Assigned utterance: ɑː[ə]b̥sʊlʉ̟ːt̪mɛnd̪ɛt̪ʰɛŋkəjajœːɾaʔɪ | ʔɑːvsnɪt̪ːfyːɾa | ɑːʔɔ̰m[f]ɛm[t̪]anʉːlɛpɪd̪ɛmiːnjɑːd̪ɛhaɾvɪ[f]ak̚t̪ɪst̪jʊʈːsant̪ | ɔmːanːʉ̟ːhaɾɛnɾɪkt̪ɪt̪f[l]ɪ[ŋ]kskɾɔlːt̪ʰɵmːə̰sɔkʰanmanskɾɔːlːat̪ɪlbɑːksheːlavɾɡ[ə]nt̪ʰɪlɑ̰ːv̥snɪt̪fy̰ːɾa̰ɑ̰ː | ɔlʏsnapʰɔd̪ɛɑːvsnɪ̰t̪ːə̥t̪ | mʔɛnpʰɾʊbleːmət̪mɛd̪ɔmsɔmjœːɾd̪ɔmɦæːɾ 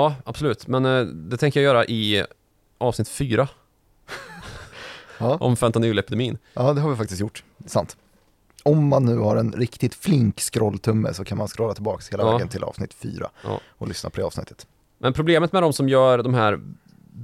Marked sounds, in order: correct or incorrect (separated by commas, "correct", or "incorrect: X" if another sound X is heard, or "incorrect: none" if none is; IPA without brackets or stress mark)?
incorrect: a, correct, correct, correct, correct, correct, correct